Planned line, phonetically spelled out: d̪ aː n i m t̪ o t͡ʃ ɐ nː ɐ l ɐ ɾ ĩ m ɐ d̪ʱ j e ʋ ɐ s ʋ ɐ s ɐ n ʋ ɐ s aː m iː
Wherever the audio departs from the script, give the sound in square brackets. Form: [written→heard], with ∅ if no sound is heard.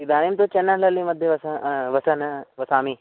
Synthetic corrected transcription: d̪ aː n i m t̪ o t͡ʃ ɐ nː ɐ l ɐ [ɾ→l] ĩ m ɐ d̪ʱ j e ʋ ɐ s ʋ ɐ s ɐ n ʋ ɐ s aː m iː